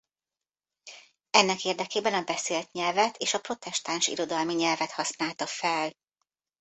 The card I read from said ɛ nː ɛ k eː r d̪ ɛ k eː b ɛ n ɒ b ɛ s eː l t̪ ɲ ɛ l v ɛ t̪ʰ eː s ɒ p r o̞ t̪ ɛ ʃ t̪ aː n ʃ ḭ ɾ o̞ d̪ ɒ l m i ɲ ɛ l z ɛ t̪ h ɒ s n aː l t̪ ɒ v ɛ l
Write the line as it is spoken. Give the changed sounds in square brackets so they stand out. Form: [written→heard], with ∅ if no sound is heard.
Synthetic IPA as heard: ɛ nː ɛ k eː r d̪ ɛ k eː b ɛ n ɒ b ɛ s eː l t̪ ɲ ɛ l v ɛ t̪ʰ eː [s→ʃ] ɒ p r o̞ t̪ ɛ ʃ t̪ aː n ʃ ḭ ɾ o̞ d̪ ɒ l m i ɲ ɛ l [z→v] ɛ t̪ h ɒ s n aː l t̪ ɒ [v→f] ɛ l